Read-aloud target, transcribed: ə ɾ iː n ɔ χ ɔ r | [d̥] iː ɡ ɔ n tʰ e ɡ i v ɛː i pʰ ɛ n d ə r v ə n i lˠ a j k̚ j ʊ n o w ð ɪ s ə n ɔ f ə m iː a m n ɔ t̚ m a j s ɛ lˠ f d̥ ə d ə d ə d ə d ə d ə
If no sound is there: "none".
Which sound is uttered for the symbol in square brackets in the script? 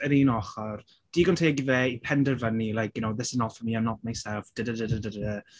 d̥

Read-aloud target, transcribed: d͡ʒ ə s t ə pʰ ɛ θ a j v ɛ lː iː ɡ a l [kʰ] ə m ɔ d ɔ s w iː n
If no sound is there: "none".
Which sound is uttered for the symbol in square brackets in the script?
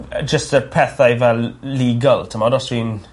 tʰ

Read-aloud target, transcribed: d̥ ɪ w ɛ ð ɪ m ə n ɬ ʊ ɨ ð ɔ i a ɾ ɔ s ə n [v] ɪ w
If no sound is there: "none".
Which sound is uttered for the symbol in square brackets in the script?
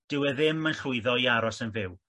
v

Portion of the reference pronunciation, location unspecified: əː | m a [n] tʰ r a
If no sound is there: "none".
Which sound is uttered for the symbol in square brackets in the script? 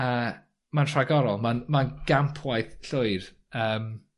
n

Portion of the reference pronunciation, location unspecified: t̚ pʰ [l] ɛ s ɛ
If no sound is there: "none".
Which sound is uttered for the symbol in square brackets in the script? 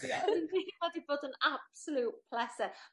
l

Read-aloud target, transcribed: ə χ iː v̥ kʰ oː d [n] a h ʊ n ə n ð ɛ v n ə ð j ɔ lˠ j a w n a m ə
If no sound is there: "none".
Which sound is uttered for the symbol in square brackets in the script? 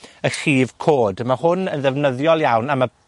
m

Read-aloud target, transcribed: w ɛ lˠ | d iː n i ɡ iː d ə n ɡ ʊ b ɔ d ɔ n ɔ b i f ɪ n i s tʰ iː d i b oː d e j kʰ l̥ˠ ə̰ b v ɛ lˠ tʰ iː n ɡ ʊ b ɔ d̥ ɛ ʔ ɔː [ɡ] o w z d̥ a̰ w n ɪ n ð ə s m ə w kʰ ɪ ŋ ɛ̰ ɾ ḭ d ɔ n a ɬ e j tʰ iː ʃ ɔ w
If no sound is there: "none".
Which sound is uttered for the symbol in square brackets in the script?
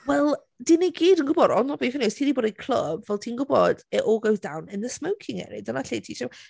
ɡ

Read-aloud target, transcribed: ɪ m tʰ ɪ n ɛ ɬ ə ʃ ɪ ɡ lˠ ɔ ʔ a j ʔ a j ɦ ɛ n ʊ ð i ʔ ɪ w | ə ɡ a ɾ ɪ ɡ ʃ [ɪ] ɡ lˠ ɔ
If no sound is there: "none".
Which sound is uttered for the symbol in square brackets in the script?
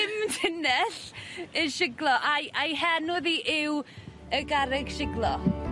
ɪ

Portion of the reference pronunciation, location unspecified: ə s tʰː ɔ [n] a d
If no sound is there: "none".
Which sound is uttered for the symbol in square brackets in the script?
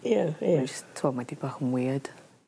m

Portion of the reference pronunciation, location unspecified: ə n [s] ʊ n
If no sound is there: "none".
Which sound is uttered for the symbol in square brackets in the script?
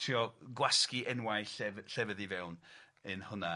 h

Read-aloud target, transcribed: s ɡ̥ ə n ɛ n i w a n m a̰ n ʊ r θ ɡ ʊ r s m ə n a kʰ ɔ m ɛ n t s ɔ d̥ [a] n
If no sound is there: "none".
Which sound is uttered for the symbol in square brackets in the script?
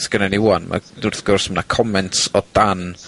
a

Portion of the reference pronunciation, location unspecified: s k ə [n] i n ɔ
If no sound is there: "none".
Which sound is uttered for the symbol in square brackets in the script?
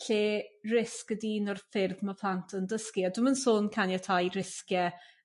d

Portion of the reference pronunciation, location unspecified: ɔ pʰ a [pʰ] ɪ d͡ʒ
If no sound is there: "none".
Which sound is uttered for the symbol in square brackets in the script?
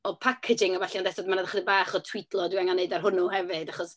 kʰ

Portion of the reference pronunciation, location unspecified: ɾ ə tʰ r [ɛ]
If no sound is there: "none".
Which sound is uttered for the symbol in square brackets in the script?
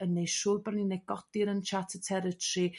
i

